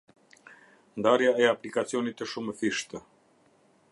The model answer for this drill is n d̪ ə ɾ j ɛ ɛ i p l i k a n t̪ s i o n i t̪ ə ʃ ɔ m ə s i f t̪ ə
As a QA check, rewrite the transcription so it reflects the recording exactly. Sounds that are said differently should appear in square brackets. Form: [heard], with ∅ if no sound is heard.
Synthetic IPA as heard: n d̪ [a] ɾ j [a] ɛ [a] p l i k a [∅] t̪ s i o n i t̪ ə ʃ [u] m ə [f] i [ʃ] t̪ ə